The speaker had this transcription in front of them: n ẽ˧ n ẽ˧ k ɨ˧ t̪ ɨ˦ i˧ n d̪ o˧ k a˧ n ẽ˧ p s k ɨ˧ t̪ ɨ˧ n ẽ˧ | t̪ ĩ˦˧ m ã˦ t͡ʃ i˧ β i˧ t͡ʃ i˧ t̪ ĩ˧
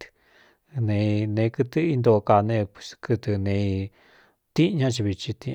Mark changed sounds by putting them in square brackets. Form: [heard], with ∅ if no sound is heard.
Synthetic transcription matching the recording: n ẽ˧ n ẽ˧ k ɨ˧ t̪ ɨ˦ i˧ n d̪ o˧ k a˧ n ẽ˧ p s k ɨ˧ t̪ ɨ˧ n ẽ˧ | t̪ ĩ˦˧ [ɲ] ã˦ t͡ʃ i˧ β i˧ t͡ʃ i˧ t̪ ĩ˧